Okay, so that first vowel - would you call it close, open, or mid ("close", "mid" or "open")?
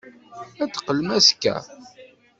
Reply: open